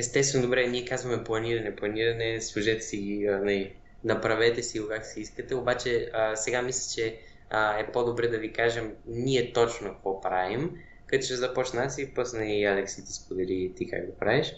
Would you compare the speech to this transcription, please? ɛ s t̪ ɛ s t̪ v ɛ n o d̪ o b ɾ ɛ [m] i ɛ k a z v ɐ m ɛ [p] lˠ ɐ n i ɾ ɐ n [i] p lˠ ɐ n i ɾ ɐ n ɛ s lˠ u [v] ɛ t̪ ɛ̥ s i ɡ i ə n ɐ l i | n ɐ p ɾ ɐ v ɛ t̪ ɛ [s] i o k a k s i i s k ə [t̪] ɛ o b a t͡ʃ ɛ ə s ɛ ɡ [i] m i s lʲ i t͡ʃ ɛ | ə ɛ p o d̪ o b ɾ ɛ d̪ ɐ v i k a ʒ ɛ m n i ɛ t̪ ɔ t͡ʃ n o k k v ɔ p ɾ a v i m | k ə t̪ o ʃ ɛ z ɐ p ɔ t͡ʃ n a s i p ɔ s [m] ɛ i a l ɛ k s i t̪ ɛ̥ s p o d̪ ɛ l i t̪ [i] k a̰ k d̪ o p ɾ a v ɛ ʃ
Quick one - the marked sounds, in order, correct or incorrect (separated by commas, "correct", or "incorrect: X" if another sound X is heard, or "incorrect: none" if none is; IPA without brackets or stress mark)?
incorrect: n, correct, incorrect: ɛ, incorrect: ʒ, correct, correct, incorrect: a, incorrect: n, correct